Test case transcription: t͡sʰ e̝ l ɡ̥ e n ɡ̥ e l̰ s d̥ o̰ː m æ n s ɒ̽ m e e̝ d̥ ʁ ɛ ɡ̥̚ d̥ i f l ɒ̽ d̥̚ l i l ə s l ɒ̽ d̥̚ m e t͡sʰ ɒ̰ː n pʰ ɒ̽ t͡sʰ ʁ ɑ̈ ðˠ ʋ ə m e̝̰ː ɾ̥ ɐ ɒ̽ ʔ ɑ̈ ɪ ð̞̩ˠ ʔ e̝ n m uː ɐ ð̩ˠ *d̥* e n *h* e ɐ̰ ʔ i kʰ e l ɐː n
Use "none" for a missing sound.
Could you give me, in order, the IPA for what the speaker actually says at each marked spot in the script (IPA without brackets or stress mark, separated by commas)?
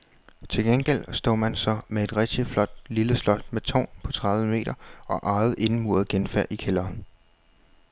ɡ̥, f